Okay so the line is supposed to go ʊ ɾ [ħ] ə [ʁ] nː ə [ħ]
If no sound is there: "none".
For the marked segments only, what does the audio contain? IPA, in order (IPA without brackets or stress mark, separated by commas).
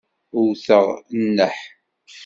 θ, ʁ, ħ